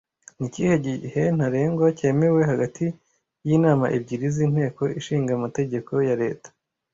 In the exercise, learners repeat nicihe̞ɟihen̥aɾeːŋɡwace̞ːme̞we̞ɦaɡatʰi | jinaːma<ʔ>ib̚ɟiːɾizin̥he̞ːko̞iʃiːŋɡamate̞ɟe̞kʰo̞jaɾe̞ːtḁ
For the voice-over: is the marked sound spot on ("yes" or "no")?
yes